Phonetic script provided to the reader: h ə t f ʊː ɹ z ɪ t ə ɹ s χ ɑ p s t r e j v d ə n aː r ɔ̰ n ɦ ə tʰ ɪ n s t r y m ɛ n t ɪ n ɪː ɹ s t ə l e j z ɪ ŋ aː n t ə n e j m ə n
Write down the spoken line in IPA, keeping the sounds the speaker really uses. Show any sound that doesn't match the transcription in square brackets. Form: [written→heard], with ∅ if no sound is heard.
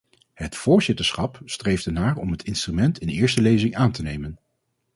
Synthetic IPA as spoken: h ə t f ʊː ɹ z ɪ t ə ɹ s χ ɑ p s t r e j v d ə n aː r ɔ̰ [n→m] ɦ ə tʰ ɪ n s t r y m ɛ n t ɪ n ɪː ɹ s t ə l e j z ɪ ŋ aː n t ə n e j m ə n

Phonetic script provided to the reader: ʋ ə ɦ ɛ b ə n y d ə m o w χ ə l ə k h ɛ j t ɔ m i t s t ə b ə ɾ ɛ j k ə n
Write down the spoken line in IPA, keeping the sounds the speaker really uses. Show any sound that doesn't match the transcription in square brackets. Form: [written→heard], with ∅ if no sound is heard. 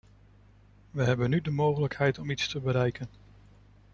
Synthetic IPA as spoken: ʋ ə ɦ ɛ b ə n y d ə m o w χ ə l ə k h ɛ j t ɔ m i t s t ə b ə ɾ ɛ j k ə n

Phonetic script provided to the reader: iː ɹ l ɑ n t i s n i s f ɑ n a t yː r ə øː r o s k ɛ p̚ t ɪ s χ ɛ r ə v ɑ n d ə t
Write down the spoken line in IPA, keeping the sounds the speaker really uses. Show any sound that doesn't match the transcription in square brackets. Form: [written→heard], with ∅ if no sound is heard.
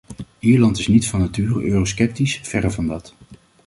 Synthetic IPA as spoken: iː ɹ l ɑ n t [i→ɪ] s n i [s→t] f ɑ n a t yː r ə øː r o s k ɛ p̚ t [ɪ→i] s [χ→f] ɛ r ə v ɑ n d [ə→ɑ] t

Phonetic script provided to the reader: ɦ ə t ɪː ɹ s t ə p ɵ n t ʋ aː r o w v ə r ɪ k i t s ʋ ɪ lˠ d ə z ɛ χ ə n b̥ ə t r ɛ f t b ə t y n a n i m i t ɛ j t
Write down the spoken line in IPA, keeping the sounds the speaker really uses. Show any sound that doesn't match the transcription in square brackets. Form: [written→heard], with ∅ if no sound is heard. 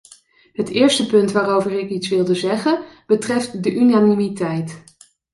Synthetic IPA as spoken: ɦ ə t ɪː ɹ s t ə p ɵ n t ʋ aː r o w v ə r ɪ k i t s ʋ ɪ lˠ d ə z ɛ χ ə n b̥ ə t r ɛ f t [b→d] ə [t→ʔ] y n a n i m i t ɛ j t

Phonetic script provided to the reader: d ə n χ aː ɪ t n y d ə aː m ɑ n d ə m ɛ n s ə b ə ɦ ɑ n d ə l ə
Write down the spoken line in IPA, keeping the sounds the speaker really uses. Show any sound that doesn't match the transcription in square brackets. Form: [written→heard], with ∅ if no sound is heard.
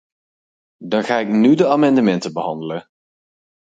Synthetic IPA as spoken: d [ə→ɑ] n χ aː ɪ [t→k] n y d ə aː m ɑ n d ə m ɛ n [s→t] ə b ə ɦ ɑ n d ə l ə

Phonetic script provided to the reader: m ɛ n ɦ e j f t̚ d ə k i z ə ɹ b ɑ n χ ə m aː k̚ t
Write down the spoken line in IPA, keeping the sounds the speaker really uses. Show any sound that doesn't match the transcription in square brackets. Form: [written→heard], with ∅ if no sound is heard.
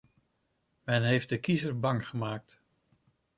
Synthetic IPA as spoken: m ɛ n ɦ e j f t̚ d ə k i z ə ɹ b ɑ [n→ŋ] χ ə m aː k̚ t

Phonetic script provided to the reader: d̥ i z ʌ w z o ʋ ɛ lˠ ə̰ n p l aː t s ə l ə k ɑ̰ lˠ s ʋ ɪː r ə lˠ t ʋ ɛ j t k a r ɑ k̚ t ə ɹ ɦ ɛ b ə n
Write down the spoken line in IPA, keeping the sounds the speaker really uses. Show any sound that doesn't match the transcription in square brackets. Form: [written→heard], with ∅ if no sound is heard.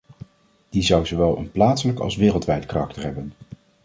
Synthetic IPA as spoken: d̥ i z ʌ w z o ʋ ɛ lˠ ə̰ n p l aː t s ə l ə k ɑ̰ lˠ s ʋ ɪː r ə lˠ t ʋ ɛ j t k a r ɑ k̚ t ə ɹ ɦ ɛ b ə n

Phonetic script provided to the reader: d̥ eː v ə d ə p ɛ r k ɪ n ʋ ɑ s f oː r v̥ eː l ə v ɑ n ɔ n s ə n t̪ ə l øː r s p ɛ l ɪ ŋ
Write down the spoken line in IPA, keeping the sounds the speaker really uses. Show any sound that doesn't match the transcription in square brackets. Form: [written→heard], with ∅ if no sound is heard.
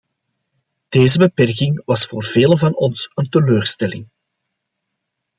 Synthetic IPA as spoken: d̥ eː [v→z] ə [d→b] ə p ɛ r k ɪ [n→ŋ] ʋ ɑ s f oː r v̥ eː l ə v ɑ n ɔ n s ə n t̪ ə l øː r s [p→t] ɛ l ɪ ŋ

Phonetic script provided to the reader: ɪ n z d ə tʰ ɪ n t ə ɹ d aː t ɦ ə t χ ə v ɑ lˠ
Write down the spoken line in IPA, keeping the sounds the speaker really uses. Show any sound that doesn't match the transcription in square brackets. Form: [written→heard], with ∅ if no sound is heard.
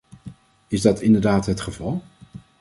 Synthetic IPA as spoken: ɪ [n→∅] z d [ə→ɑ] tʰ ɪ n [t→d] ə ɹ d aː t ɦ ə t χ ə v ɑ lˠ

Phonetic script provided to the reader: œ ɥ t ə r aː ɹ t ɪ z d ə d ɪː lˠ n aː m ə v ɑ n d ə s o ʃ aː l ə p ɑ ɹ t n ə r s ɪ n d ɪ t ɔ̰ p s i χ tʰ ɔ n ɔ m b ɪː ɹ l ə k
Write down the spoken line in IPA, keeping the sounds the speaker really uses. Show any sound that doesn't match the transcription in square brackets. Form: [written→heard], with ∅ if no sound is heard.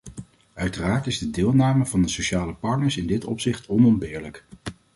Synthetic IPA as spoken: œ ɥ t ə r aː ɹ t ɪ z d ə d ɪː lˠ n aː m ə v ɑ n d ə s o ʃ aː l ə p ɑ ɹ t n ə [r→ɹ] s ɪ n d ɪ t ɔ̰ p s [i→ɪ] χ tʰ ɔ n ɔ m b ɪː ɹ l ə k

